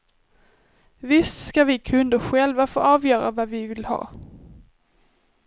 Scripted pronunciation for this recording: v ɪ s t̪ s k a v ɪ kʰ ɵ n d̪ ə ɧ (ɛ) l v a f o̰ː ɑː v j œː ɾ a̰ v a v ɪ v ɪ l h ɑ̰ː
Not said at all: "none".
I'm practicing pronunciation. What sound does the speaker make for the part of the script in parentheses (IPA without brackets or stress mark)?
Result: ɛ